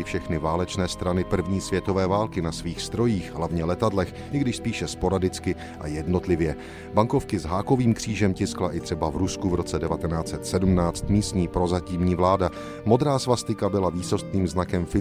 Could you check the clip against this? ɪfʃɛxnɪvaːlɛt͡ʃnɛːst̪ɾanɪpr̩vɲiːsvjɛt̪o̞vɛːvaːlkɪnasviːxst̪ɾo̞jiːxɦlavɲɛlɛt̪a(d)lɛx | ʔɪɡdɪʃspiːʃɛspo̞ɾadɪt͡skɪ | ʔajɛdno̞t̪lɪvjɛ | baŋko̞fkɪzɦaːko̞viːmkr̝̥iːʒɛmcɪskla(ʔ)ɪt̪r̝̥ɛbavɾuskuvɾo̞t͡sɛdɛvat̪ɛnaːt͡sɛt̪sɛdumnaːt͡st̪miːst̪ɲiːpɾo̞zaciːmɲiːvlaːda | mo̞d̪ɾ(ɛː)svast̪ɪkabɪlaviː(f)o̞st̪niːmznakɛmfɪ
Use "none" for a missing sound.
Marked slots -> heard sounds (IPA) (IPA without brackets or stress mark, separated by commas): d, ʔ, aː, s